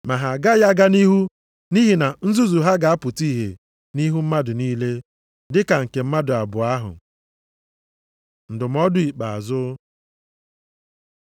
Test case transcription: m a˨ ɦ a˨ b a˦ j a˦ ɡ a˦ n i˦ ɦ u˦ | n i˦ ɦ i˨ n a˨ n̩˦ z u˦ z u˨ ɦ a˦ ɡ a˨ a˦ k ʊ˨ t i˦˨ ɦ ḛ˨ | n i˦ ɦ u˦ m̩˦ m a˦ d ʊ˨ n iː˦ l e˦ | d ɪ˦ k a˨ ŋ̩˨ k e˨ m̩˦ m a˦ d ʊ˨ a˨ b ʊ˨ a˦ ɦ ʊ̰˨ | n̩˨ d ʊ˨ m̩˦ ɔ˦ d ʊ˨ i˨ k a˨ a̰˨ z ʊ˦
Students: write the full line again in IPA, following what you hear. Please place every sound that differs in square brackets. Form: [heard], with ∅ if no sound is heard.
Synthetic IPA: m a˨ ɦ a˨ [ɡ] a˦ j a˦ ɡ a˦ n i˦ ɦ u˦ | n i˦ ɦ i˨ n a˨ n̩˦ z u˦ z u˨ ɦ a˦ ɡ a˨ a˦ [p] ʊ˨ t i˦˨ ɦ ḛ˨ | n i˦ ɦ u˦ m̩˦ m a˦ d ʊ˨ n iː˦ l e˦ | d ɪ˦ k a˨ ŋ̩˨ k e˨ m̩˦ m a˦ d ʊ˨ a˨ b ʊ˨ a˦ ɦ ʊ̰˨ | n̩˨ d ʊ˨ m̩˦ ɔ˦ d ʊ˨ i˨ [k͡p] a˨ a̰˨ z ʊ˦